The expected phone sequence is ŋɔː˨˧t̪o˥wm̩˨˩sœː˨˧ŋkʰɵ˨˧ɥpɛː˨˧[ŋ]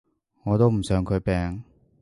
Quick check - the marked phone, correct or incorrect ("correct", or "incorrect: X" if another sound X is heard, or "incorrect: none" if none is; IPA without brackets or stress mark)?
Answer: correct